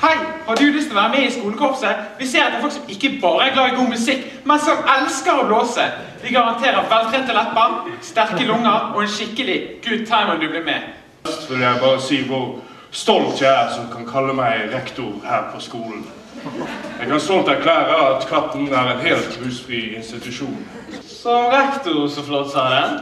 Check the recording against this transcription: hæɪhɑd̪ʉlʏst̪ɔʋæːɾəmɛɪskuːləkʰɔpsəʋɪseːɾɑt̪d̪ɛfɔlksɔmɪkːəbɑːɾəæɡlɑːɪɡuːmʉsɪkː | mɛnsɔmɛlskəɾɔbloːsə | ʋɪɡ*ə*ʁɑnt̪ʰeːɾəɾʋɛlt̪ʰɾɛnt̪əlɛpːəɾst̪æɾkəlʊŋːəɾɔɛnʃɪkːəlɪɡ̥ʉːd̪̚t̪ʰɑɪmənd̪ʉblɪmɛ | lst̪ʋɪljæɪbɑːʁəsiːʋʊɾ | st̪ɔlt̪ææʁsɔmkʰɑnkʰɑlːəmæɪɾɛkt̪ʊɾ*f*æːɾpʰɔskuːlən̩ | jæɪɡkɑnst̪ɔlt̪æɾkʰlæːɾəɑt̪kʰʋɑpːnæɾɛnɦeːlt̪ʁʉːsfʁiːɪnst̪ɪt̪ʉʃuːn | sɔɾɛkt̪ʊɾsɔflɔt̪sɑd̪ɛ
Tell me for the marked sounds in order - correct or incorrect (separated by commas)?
incorrect, incorrect